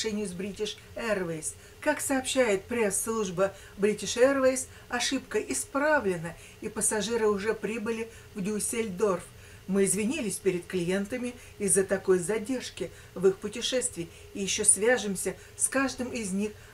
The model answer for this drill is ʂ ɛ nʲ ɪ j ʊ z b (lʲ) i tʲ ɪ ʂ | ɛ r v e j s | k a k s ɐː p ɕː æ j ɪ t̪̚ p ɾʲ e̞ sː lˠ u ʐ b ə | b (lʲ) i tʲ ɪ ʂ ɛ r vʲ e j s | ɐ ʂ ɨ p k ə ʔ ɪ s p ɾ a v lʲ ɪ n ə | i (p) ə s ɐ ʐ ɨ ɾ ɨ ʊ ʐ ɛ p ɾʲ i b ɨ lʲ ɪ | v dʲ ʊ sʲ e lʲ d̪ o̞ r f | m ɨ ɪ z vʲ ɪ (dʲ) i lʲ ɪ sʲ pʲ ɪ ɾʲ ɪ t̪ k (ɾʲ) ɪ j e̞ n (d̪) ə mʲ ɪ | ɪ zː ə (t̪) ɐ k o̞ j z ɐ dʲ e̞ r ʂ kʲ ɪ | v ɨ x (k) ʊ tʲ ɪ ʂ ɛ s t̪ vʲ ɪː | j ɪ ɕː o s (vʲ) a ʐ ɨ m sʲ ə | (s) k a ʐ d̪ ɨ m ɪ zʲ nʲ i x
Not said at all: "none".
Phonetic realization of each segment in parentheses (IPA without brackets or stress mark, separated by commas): ɾʲ, ɾʲ, p, nʲ, lʲ, t̪, t̪, p, vʲ, s